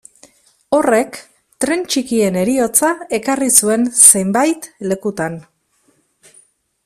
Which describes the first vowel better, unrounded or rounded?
rounded